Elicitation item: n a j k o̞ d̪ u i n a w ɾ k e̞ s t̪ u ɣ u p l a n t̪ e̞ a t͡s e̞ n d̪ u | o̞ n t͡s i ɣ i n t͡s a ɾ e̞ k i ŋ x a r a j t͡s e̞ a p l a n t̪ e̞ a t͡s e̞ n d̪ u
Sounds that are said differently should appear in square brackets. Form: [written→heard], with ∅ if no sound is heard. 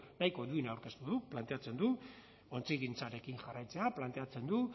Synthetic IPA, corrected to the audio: n a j k o̞ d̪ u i n a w ɾ k e̞ s t̪ u [ɣ→ð] u p l a n t̪ e̞ a t͡s e̞ n d̪ u | o̞ n t͡s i ɣ i n t͡s a ɾ e̞ k i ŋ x a r a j t͡s e̞ a p l a n t̪ e̞ a t͡s e̞ n d̪ u